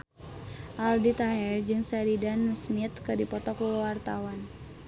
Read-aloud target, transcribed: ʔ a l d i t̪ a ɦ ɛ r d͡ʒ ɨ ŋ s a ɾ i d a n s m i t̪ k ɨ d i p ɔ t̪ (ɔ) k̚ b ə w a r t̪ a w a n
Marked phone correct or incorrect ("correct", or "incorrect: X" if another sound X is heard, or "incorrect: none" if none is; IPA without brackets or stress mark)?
correct